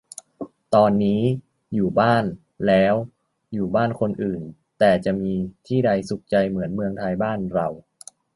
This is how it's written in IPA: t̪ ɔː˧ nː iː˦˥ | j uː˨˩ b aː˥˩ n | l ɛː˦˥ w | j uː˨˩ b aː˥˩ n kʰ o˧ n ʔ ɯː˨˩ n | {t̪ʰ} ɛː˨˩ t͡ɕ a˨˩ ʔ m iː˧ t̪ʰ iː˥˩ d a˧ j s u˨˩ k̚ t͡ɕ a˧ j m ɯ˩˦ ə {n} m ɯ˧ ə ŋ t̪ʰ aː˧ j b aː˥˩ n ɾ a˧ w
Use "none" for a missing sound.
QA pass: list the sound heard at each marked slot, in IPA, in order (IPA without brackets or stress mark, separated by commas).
t̪, n